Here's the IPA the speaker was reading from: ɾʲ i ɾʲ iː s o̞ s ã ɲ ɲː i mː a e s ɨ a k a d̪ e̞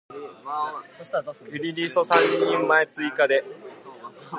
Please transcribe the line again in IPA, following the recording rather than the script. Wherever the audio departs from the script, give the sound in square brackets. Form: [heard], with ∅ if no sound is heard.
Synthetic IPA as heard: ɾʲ i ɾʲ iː s o̞ s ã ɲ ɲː [ĩ] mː a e [t͡s] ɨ [i] k a d̪ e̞

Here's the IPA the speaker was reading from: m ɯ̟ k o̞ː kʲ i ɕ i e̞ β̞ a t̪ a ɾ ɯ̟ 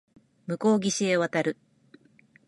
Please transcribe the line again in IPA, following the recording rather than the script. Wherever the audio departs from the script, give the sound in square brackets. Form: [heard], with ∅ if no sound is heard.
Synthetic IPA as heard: m ɯ̟ k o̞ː [ɡʲ] i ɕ i e̞ β̞ a t̪ a ɾ ɯ̟

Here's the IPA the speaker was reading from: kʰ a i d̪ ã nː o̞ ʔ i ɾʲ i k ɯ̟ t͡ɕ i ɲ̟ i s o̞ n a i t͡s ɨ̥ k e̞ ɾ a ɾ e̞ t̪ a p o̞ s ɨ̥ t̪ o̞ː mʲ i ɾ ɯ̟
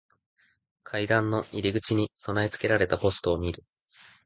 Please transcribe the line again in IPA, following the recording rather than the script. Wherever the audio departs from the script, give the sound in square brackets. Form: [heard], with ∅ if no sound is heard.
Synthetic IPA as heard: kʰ a i d̪ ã nː o̞ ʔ i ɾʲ i [ɡ] ɯ̟ t͡ɕ i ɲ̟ i s o̞ n a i t͡s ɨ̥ k e̞ ɾ a ɾ e̞ t̪ a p o̞ s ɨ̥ t̪ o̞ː mʲ i ɾ ɯ̟

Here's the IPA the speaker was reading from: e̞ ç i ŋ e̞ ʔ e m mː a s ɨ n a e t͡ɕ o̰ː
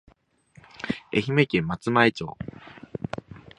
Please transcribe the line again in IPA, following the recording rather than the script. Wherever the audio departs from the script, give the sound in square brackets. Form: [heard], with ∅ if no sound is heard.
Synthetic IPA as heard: e̞ ç i [m] e̞ [k] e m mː a [t͡s] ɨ [m] a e t͡ɕ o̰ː

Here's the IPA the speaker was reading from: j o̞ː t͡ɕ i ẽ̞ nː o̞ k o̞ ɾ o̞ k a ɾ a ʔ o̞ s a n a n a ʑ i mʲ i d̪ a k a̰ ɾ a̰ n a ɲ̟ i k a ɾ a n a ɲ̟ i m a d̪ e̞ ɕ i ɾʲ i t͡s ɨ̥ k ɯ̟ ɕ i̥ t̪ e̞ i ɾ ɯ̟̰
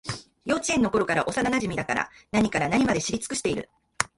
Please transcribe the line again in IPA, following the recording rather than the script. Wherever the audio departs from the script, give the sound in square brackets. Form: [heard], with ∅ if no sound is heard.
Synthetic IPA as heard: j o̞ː t͡ɕ i ẽ̞ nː o̞ k o̞ ɾ o̞ k a ɾ a ʔ o̞ s a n a n a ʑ i mʲ i d̪ a k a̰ ɾ a̰ n a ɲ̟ i k a ɾ a n a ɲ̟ i m a d̪ e̞ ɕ i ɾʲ i t͡s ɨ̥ k ɯ̟ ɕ i̥ t̪ e̞ i ɾ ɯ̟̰

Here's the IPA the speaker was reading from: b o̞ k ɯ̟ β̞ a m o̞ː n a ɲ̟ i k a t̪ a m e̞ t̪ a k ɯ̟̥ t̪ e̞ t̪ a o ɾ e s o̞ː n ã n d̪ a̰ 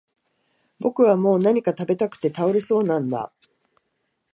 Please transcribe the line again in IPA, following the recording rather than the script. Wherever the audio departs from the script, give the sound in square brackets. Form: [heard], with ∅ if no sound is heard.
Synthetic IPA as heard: b o̞ k ɯ̟ β̞ a m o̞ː n a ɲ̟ i k a t̪ a [b] e̞ t̪ a k ɯ̟̥ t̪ e̞ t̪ a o ɾ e s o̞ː n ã n d̪ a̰

